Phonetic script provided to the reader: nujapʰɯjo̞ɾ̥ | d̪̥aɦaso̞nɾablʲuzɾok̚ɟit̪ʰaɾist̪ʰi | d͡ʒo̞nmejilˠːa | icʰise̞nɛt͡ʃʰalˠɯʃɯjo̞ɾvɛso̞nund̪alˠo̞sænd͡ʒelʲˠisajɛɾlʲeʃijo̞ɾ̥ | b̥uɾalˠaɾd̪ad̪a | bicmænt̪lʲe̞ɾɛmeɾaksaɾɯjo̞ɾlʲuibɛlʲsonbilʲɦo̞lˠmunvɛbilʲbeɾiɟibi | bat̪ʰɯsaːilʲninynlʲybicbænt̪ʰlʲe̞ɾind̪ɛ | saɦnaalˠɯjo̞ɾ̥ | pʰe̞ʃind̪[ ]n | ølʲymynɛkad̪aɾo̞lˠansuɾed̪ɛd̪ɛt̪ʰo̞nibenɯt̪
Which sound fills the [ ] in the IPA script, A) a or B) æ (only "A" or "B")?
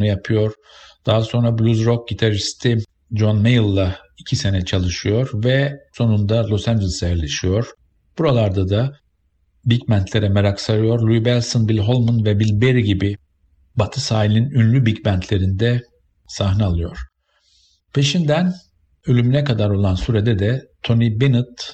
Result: B